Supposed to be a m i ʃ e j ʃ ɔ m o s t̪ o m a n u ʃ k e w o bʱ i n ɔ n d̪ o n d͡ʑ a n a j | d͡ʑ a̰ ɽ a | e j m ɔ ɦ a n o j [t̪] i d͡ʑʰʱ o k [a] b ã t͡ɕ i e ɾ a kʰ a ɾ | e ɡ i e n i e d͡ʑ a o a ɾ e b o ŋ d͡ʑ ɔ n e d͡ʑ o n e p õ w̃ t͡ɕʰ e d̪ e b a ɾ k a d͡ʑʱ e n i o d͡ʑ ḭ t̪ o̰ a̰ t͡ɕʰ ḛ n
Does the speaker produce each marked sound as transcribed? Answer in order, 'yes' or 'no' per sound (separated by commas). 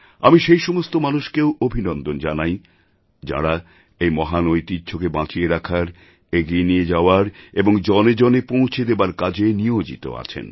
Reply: yes, no